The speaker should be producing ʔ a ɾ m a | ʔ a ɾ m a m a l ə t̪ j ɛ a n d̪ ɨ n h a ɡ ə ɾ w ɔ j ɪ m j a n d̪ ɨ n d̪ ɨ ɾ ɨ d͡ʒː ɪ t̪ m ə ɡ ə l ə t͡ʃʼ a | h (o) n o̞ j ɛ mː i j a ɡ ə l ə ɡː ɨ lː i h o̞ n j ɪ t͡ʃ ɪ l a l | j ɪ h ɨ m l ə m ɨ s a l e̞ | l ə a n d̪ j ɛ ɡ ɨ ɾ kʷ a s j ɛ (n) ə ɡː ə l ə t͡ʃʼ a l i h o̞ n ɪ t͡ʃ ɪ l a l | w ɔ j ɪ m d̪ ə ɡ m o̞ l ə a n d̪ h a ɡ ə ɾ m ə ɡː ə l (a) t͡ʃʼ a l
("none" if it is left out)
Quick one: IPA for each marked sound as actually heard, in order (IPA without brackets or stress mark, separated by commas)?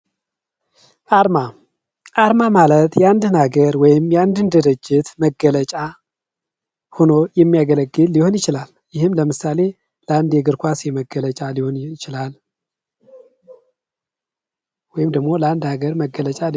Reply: o, m, ə